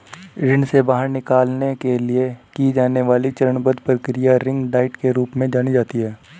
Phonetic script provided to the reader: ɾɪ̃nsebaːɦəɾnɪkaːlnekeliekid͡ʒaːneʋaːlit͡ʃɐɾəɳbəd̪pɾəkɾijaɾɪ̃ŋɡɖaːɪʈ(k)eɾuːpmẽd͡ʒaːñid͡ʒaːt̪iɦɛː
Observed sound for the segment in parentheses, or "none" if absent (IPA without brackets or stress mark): k